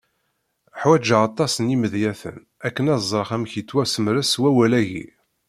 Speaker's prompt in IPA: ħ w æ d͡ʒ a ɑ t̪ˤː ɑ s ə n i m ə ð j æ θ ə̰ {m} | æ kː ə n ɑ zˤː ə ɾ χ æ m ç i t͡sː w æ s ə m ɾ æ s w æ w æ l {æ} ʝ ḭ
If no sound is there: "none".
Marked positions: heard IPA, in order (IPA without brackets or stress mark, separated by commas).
n, æ